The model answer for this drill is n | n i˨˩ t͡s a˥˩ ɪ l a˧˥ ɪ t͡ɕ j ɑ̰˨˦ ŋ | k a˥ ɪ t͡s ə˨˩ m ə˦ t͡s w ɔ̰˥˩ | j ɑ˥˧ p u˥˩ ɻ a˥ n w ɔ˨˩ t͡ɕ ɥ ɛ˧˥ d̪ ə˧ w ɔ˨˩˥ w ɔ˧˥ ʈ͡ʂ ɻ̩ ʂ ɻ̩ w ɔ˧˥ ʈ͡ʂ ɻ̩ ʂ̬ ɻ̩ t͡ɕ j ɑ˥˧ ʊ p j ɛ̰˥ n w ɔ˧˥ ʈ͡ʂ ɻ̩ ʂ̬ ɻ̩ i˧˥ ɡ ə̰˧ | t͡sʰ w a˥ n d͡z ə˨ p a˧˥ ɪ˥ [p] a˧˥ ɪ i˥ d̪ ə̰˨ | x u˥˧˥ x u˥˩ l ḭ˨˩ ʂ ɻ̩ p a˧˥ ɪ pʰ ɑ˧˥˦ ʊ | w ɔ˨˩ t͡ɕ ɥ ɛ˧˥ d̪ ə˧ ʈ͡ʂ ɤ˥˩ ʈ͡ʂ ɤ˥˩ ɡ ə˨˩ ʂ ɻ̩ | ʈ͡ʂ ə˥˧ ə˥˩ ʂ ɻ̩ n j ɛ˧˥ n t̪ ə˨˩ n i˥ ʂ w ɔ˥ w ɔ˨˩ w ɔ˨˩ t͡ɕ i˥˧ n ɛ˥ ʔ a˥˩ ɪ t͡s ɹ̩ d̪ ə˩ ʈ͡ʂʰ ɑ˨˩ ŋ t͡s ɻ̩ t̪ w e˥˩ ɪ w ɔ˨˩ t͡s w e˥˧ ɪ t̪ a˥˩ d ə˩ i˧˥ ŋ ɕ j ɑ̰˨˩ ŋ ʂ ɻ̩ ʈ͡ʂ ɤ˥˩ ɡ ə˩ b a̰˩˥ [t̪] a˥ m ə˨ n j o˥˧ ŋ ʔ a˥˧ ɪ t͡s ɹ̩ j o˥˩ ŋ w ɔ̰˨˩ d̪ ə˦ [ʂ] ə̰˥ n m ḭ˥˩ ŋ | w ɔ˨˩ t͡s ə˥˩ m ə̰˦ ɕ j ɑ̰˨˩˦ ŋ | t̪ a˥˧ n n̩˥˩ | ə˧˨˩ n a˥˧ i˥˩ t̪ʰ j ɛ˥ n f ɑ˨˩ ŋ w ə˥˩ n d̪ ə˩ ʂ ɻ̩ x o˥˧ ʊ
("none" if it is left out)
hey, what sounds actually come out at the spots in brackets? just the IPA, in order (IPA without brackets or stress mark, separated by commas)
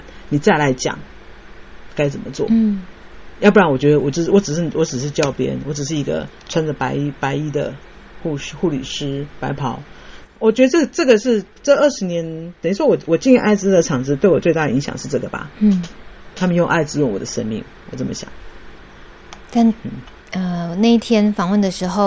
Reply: p, t̪ʰ, ʂ